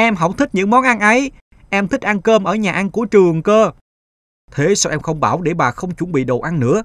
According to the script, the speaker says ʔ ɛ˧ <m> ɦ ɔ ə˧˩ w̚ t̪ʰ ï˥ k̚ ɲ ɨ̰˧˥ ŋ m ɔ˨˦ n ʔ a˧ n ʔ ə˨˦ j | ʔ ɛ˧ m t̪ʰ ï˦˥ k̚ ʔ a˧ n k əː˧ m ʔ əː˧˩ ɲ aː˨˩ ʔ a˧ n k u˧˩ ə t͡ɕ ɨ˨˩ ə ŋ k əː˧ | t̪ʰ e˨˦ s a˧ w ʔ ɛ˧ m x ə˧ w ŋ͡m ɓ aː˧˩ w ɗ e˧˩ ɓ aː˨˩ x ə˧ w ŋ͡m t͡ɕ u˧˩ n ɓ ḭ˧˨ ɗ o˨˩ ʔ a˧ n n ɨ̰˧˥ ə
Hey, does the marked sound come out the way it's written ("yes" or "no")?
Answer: yes